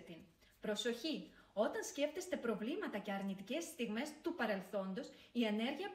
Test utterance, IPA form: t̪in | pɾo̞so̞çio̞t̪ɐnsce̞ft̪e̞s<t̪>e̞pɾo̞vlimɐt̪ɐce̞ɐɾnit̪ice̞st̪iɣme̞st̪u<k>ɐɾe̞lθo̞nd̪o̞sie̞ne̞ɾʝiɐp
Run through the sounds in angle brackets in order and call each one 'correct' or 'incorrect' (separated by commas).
correct, incorrect